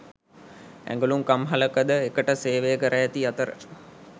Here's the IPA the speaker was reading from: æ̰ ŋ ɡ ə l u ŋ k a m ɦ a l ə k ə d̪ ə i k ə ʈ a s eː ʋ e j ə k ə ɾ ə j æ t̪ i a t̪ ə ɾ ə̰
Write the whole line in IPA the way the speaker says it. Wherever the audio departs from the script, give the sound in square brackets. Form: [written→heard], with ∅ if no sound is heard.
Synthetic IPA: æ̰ ŋ ɡ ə l u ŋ k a m ɦ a l ə k ə d̪ ə [i→e] k ə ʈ [a→ə] s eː ʋ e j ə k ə ɾ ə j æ t̪ i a t̪ ə ɾ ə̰